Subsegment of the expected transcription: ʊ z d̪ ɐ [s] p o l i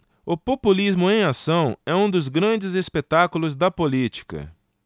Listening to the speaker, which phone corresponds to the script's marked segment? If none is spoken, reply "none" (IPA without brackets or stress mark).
none